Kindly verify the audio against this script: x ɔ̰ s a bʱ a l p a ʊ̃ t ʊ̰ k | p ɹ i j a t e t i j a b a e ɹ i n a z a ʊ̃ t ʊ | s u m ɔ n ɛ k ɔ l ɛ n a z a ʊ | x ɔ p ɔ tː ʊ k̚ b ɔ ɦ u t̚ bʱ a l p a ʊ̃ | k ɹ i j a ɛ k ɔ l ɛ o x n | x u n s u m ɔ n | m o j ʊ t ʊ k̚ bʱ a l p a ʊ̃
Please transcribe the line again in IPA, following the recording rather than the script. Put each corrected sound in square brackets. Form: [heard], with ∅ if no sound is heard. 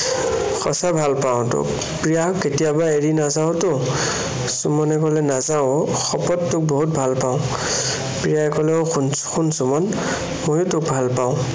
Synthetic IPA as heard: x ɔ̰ s a bʱ a l p a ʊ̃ t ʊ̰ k | p ɹ i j a [k] e t i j a b a e ɹ i n a z a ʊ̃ t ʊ | s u m ɔ n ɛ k ɔ l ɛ n a z a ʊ | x ɔ p ɔ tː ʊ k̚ b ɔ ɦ u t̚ bʱ a l p a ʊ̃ | [p] ɹ i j a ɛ k ɔ l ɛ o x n | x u n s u m ɔ n | m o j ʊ t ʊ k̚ bʱ a l p a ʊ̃